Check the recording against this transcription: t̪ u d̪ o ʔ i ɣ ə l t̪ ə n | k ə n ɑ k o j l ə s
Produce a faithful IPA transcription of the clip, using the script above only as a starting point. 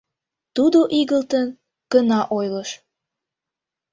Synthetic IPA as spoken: t̪ u d̪ o ʔ i ɣ ə l t̪ ə n | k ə n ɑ ʔ o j l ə ʃ